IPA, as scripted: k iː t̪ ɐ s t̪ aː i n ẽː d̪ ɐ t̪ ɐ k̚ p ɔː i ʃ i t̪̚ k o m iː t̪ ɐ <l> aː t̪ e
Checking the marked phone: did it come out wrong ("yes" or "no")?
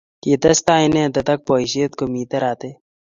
yes